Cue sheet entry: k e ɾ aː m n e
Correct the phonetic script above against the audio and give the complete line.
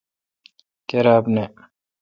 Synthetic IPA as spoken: k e ɾ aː b n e